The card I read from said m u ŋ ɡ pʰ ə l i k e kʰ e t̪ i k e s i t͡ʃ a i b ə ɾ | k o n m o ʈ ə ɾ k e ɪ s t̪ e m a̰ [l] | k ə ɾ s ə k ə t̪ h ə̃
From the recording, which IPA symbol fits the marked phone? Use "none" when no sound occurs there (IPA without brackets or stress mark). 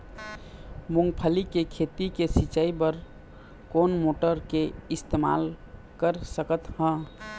l